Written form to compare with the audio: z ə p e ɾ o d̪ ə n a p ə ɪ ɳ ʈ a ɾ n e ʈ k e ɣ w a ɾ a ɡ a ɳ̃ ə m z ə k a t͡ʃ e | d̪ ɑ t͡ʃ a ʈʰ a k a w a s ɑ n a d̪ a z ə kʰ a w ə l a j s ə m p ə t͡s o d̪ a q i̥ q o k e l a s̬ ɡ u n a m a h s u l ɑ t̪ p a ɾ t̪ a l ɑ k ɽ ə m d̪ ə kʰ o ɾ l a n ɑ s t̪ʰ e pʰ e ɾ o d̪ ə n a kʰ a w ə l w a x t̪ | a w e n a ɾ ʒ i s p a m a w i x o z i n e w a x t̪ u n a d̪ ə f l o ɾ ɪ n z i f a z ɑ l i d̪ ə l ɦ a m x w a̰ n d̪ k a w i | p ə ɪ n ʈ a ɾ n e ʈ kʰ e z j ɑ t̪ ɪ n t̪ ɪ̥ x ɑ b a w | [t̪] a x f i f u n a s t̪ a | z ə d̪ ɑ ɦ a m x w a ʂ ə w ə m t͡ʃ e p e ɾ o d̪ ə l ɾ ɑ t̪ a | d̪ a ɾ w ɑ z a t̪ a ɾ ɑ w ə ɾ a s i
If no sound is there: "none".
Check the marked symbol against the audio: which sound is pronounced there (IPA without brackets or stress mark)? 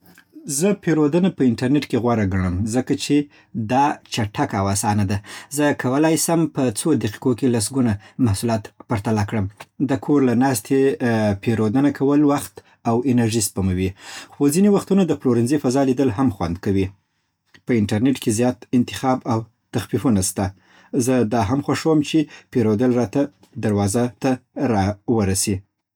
t̪